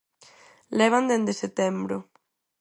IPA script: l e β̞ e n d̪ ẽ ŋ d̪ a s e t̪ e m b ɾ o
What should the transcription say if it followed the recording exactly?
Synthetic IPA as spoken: l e β̞ a n d̪ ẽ n d̪ e s e t̪ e m b ɾ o